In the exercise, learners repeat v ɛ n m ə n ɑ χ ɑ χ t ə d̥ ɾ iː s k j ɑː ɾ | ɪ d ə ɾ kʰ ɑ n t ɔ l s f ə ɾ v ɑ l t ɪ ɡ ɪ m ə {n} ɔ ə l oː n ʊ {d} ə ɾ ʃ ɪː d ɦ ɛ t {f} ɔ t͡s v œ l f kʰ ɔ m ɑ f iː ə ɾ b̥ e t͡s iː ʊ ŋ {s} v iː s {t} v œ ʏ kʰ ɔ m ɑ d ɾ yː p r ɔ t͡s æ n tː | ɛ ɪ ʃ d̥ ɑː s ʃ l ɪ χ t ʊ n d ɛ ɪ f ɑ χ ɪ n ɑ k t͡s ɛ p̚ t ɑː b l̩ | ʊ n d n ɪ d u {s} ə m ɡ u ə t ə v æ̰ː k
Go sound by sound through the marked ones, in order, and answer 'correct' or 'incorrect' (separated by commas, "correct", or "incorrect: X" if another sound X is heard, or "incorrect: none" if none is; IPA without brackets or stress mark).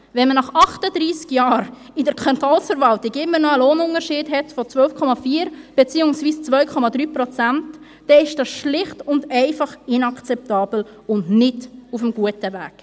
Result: correct, incorrect: n, correct, correct, incorrect: t͡s, incorrect: f